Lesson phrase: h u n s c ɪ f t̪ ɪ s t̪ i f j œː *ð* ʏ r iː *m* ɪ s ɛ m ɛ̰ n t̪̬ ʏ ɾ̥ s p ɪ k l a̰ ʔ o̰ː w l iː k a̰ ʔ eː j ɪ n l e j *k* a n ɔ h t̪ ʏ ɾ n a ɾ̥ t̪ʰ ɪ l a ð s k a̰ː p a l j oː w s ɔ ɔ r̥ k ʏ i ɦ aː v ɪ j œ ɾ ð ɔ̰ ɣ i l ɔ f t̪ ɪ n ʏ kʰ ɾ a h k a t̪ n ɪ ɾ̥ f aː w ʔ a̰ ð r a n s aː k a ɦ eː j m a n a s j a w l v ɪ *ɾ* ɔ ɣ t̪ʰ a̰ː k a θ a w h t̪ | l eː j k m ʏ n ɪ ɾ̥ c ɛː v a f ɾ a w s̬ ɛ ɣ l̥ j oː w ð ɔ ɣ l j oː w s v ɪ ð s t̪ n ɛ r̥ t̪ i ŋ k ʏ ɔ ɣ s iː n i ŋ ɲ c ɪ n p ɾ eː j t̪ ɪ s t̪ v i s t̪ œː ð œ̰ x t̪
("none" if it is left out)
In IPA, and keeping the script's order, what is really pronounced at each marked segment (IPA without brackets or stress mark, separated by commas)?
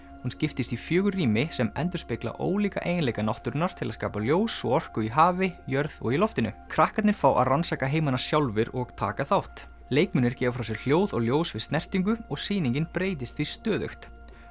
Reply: ɣ, m, k, ɾ